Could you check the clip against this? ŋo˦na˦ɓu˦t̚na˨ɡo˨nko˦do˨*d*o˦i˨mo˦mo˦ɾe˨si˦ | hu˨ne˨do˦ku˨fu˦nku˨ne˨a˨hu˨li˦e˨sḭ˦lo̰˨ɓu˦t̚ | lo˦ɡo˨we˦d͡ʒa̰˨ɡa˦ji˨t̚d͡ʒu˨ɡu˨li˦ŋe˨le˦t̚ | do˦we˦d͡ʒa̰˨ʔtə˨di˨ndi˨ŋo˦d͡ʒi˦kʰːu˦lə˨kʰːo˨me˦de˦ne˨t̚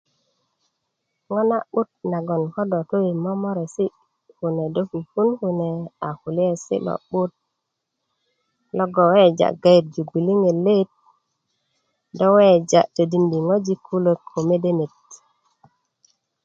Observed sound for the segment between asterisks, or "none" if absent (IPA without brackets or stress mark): t